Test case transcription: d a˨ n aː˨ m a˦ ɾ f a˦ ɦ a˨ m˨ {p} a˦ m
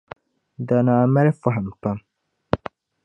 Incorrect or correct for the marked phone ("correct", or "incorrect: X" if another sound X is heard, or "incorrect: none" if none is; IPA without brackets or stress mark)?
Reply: correct